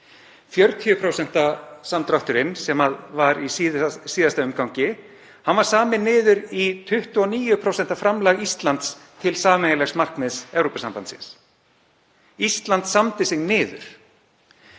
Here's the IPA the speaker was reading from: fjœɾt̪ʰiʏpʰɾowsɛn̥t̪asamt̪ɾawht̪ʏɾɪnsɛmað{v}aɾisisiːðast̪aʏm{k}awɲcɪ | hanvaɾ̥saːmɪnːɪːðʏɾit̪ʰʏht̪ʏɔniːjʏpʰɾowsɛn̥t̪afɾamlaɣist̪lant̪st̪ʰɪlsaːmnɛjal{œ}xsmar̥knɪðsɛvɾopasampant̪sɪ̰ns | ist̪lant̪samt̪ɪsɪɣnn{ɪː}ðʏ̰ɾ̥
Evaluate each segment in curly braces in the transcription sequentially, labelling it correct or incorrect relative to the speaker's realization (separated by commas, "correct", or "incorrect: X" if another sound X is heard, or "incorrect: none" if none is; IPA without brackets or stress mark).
correct, correct, incorrect: ɛ, correct